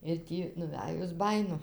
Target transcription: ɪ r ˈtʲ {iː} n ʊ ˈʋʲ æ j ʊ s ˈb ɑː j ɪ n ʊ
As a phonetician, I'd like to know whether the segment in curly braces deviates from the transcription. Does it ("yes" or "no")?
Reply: no